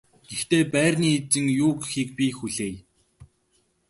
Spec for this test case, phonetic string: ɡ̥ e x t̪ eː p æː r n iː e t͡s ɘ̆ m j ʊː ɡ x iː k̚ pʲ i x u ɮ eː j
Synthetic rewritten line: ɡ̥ e x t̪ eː p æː r n iː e t͡s ɘ̆ ŋ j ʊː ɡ x iː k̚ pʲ i x u ɮ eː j